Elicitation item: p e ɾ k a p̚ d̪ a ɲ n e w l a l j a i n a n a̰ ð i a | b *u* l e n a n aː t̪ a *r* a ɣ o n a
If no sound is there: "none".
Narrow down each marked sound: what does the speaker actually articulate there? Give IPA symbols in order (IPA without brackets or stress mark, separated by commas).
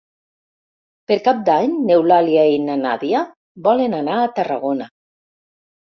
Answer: ɔ, r